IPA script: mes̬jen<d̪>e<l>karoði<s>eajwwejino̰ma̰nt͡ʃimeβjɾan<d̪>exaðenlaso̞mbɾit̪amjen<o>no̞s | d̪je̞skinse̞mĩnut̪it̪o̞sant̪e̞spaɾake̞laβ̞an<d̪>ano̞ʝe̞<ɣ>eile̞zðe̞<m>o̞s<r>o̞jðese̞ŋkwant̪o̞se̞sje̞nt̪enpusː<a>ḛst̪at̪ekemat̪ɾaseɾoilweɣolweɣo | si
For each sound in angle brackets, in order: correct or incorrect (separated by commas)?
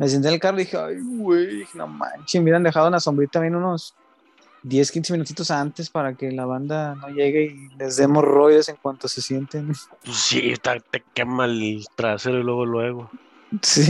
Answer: incorrect, correct, incorrect, correct, incorrect, correct, correct, correct, correct, incorrect